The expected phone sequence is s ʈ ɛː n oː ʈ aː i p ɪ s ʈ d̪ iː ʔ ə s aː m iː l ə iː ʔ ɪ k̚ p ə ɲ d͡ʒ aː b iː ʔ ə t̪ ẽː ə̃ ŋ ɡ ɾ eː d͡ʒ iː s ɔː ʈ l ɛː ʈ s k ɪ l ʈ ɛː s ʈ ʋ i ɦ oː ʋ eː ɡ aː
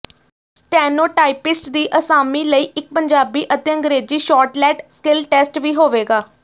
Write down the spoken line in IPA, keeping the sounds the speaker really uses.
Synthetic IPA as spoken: s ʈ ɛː n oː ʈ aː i p ɪ s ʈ d̪ iː ʔ ə s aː m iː l ə iː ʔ ɪ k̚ p ə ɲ d͡ʒ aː b iː ʔ ə t̪ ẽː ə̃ ŋ ɡ ɾ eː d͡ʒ iː ʃ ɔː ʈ l ɛː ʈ s k ɪ l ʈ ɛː s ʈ ʋ iː ɦ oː ʋ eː ɡ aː